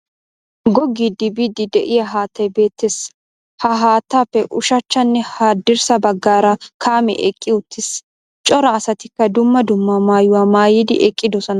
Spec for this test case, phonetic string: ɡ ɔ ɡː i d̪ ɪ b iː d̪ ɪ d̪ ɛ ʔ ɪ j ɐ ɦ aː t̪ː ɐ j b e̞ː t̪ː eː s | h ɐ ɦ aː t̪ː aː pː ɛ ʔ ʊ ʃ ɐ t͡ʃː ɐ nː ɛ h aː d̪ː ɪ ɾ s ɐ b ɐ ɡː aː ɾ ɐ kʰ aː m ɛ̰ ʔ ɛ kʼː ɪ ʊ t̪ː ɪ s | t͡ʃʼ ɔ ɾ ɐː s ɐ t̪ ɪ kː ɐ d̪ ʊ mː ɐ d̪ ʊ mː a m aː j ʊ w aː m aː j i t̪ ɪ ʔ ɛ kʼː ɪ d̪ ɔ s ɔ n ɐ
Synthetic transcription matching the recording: ɡ ɔ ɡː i d̪ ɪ b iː d̪ ɪ d̪ ɛ ʔ ɪ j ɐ ɦ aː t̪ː ɐ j b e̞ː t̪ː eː s | h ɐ ɦ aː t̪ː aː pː ɛ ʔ ʊ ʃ ɐ t͡ʃː ɐ nː ɛ h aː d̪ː ɪ ɾ s ɐ b ɐ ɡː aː ɾ ɐ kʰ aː m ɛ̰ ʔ ɛ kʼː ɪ ʊ t̪ː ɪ s | t͡ʃʼ ɔ ɾ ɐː s ɐ t̪ ɪ kː ɐ d̪ ʊ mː ɐ d̪ ʊ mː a m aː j ʊ w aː m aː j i d̪ ɪ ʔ ɛ kʼː ɪ d̪ ɔ s ɔ n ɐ